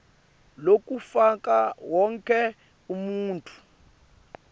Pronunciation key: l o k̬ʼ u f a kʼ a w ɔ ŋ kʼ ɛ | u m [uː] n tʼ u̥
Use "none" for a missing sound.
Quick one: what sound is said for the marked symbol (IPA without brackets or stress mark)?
uː